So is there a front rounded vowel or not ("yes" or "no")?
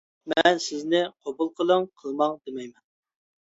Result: no